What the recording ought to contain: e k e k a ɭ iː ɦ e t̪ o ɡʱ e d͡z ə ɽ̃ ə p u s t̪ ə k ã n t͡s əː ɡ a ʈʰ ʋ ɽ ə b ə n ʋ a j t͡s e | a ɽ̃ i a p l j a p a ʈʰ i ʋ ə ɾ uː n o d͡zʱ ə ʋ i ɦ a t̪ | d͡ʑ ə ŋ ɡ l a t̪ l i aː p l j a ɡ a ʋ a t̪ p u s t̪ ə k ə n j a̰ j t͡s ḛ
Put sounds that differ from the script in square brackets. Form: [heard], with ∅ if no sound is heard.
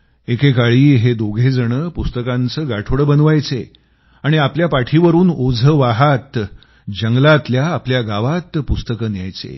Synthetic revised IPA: e k e k a ɭ iː ɦ e [d̪] o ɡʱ e d͡z ə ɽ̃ ə p u s t̪ ə k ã n t͡s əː ɡ a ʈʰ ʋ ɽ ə b ə n ʋ a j t͡s e | a ɽ̃ i a p l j a p a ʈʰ i ʋ ə ɾ uː n o d͡zʱ ə ʋ [a] ɦ a t̪ | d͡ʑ ə ŋ ɡ l a t̪ l [j] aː p l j a ɡ a ʋ a t̪ p u s t̪ ə k ə n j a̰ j t͡s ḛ